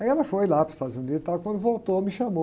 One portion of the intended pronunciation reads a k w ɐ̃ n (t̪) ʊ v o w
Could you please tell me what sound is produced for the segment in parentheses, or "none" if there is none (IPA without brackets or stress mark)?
d̪